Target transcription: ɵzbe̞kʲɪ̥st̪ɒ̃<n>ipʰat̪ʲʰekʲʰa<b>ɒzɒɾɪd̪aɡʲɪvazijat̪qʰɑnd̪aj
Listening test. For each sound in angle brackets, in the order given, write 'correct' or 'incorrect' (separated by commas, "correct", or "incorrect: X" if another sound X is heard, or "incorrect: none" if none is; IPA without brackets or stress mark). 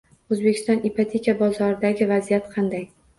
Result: correct, correct